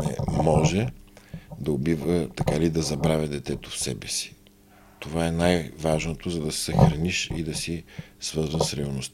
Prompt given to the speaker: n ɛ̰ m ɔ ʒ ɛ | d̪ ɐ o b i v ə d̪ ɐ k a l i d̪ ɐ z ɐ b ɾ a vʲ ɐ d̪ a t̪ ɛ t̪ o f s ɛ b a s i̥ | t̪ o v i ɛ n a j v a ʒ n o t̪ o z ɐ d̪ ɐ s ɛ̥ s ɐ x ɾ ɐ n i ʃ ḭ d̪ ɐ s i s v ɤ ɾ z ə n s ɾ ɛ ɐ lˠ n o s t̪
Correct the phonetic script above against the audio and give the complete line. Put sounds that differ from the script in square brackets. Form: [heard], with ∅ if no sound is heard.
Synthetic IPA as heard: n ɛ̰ m ɔ ʒ ɛ | d̪ ɐ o b i v ə [t̪] ɐ k a l i d̪ ɐ z ɐ b ɾ a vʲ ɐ d̪ [ɛ] t̪ ɛ t̪ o f s ɛ b [ɛ] s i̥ | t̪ o v [a] ɛ n a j v a ʒ n o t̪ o z ɐ d̪ ɐ s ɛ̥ s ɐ x ɾ ɐ n i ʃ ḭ d̪ ɐ s i s v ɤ ɾ z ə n s ɾ ɛ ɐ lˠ n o s t̪